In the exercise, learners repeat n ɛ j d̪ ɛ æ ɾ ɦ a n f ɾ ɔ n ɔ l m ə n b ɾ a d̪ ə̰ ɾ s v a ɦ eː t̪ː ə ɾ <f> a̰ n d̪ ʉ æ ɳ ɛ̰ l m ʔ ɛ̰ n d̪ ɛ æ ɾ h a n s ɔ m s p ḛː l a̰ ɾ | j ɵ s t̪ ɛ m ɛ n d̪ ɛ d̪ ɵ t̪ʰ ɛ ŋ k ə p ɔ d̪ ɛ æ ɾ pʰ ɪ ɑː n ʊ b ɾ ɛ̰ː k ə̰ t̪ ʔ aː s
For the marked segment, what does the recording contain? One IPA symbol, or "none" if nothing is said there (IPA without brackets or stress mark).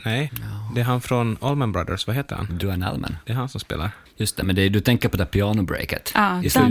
h